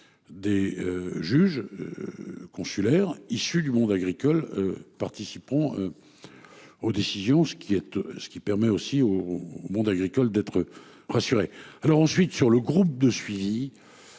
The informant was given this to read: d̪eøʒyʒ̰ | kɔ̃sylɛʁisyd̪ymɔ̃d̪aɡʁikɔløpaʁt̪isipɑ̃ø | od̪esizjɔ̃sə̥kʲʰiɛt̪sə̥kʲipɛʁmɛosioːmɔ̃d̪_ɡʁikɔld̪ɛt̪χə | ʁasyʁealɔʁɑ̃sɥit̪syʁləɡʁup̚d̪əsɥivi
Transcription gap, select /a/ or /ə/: a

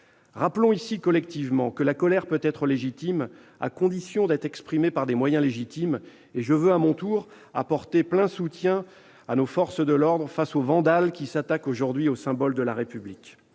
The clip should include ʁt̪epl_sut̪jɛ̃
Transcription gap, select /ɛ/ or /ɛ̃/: ɛ̃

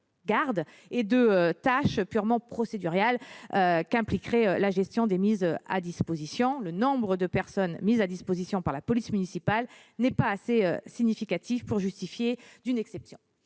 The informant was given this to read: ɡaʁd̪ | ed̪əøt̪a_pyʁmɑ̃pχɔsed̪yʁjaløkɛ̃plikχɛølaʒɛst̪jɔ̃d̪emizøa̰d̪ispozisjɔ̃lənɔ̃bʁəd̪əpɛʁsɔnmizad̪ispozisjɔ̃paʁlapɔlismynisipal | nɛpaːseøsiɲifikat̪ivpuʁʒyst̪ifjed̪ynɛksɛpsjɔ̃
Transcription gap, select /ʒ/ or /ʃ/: ʃ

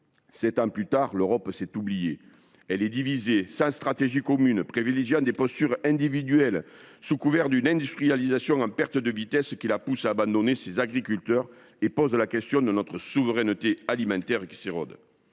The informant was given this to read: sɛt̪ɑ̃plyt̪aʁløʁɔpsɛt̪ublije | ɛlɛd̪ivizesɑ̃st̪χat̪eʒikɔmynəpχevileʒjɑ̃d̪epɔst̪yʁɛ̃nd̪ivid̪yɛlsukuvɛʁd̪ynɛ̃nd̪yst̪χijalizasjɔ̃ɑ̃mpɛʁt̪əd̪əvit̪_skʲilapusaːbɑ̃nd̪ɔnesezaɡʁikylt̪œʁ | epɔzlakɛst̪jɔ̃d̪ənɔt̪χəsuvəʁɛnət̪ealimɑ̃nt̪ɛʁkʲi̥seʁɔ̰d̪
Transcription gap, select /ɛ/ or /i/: ɛ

